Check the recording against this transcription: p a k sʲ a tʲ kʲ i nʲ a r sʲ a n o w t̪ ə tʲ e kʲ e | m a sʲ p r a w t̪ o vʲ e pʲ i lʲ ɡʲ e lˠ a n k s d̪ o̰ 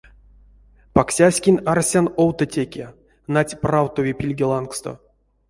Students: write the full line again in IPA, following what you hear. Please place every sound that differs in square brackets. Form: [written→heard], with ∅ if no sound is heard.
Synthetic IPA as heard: p a k sʲ a [tʲ→sʲ] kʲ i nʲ a r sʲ a n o w t̪ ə tʲ e kʲ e | [m→n] a [sʲ→tʲ] p r a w t̪ o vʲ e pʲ i lʲ ɡʲ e lˠ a n k s [d̪→t̪] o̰